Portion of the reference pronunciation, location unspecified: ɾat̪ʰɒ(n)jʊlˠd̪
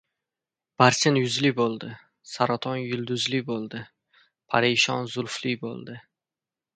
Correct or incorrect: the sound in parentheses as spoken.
correct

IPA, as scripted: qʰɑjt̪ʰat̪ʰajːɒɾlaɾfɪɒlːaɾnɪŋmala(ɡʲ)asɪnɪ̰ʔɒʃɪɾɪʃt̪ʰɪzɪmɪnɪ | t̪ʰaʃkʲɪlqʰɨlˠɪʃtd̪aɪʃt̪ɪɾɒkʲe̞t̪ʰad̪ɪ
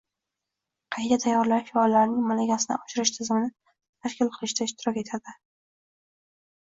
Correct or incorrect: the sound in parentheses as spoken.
correct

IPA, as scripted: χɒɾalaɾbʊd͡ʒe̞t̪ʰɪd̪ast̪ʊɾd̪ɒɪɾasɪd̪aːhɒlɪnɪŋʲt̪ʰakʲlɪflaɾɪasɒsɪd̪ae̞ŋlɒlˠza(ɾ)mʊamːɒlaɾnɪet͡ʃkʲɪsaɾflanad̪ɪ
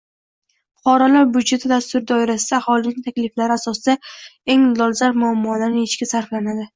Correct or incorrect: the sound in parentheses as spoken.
correct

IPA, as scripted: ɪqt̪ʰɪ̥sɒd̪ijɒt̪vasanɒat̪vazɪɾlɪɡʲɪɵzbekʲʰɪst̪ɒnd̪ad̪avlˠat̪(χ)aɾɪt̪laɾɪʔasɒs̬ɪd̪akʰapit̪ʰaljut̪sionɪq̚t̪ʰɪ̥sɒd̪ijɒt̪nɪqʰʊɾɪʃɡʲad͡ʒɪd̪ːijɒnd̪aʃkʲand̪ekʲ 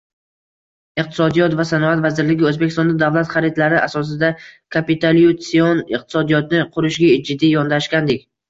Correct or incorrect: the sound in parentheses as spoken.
correct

